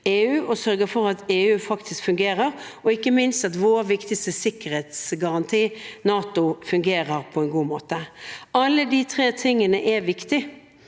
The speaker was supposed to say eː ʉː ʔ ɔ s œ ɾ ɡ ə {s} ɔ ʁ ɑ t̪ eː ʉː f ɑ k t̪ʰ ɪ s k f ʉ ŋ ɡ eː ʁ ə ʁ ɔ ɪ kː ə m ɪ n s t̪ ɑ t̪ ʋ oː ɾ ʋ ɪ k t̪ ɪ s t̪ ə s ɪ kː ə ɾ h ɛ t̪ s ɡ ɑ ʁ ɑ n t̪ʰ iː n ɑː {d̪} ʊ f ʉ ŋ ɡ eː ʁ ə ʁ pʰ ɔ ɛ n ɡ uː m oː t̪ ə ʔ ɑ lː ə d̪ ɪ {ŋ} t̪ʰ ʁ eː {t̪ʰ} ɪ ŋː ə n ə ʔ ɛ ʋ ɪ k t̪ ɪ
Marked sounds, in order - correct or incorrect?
incorrect: f, incorrect: t̪, incorrect: none, correct

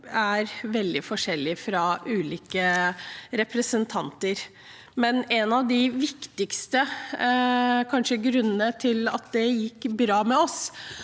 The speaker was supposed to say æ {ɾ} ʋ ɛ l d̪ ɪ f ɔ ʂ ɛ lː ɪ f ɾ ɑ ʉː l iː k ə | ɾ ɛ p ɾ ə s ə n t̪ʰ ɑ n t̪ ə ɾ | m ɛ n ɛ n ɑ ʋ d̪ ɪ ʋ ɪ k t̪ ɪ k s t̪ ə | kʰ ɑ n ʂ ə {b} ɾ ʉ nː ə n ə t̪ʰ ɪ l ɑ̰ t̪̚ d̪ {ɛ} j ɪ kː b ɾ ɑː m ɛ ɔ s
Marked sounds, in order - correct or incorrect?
correct, incorrect: ɡ, correct

